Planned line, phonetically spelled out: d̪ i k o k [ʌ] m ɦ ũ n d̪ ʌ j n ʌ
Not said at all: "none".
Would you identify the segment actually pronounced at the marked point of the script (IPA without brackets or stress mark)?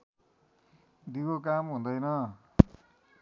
a